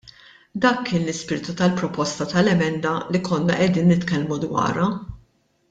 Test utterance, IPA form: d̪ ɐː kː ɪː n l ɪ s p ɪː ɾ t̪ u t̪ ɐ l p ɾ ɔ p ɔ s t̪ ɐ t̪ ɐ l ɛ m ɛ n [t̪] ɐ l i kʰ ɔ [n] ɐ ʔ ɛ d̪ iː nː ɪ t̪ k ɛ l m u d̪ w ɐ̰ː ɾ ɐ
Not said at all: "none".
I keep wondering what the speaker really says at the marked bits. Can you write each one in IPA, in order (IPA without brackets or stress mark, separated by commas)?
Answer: d̪, nː